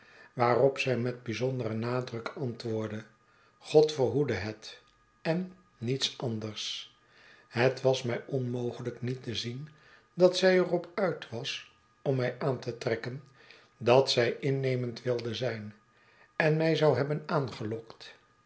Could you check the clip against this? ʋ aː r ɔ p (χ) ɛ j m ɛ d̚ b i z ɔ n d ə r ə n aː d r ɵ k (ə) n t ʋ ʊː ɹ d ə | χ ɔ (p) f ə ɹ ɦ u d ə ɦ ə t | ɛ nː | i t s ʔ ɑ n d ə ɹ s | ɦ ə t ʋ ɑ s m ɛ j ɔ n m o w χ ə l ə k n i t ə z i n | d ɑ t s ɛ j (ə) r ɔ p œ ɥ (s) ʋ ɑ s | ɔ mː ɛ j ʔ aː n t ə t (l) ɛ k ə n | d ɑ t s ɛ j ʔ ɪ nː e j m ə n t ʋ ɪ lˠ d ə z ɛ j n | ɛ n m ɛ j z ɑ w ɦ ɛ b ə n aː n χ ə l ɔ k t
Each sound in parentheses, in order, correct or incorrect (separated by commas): incorrect, incorrect, incorrect, correct, incorrect, incorrect